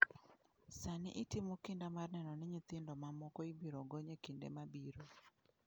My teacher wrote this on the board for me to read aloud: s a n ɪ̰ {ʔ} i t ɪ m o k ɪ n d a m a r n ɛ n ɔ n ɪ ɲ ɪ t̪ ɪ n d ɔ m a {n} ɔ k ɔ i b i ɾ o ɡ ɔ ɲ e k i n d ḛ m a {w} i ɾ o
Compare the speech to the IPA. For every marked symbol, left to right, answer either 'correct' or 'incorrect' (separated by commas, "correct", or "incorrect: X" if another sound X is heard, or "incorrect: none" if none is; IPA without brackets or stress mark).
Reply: correct, incorrect: m, incorrect: b